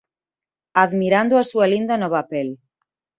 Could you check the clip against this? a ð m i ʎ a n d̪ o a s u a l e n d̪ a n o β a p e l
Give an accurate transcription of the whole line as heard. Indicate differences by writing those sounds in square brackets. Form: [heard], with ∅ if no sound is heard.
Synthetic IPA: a ð m i [ɾ] a n d̪ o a s u a l [i] n d̪ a n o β a p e l